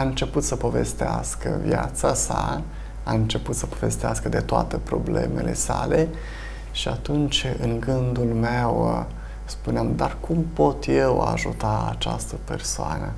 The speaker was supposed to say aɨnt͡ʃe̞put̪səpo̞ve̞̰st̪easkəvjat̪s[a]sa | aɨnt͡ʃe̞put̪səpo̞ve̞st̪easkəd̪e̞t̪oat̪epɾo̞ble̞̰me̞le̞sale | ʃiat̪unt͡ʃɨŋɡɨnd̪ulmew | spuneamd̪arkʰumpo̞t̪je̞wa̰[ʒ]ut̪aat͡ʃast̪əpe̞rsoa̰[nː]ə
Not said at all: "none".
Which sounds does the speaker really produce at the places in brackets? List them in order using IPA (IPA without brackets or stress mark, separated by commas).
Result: a, ʒ, n